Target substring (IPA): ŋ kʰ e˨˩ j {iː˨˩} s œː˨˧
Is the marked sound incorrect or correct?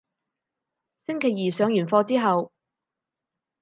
correct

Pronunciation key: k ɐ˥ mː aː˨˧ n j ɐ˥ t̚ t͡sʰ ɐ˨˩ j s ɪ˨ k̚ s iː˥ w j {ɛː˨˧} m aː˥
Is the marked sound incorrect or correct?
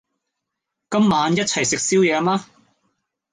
correct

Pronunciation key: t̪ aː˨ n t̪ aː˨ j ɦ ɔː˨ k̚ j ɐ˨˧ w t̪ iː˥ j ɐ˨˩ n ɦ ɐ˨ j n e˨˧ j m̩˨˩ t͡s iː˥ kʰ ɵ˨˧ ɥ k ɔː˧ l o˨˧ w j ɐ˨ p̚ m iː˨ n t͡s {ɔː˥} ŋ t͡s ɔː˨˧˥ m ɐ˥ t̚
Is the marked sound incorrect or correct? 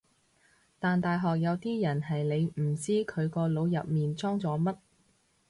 correct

